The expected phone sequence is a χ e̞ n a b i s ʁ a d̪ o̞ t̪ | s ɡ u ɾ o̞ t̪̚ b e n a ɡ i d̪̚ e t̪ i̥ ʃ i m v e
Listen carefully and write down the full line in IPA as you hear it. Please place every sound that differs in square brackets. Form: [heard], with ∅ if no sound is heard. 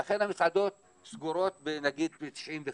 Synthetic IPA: a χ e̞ n a [m] i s [ʕ] a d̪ o̞ t̪ | s ɡ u ɾ o̞ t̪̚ b e n a ɡ i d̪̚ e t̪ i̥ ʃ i m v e